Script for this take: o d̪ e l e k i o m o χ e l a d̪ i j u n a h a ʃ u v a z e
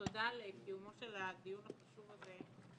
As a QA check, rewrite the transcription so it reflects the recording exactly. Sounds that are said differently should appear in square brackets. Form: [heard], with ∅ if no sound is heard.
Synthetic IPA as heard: o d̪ [a] l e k i [u] m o [ʃ] e l a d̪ i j u n a [χ] a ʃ u v a z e